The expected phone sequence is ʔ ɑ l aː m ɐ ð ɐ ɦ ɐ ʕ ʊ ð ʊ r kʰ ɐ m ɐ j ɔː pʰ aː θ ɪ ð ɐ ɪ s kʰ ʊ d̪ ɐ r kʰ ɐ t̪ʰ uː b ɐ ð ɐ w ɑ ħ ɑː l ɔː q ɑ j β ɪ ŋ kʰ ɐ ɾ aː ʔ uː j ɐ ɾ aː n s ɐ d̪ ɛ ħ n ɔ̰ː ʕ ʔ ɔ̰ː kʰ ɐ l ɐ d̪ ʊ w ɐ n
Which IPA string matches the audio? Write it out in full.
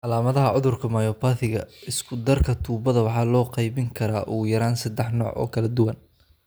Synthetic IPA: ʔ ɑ l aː m ɐ ð ɐ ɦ ɐ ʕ ʊ ð ʊ r kʰ ɐ m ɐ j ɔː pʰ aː θ ɪ ɣ ɐ ɪ s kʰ ʊ d̪ ɐ r kʰ ɐ t̪ʰ uː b ɐ ð ɐ w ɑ ħ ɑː l ɔː q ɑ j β ɪ ŋ kʰ ɐ ɾ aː ʔ uː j ɐ ɾ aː n s ɐ d̪ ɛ ħ n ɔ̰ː ʕ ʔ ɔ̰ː kʰ ɐ l ɐ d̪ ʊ w ɐ n